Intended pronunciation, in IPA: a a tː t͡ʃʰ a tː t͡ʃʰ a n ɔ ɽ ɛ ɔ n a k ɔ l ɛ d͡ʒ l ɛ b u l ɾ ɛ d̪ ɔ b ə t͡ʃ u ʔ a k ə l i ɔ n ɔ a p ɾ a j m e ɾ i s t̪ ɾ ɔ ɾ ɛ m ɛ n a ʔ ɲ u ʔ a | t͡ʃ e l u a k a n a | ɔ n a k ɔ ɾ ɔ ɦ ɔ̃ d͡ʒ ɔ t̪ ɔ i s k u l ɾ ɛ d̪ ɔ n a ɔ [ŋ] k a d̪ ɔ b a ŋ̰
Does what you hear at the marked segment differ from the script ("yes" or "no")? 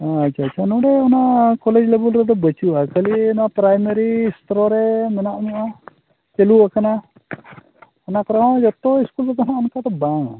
yes